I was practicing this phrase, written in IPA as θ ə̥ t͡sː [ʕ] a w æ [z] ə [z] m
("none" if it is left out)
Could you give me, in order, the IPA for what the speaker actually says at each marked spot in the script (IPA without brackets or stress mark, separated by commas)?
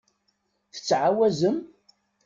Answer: ʕ, z, none